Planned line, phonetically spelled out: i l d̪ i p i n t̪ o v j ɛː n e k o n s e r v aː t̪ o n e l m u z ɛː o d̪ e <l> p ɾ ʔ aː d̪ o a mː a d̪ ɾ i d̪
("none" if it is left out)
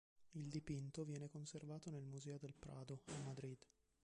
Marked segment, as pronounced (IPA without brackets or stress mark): l